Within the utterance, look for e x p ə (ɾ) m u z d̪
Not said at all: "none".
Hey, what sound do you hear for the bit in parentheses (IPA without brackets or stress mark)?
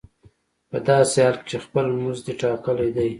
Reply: l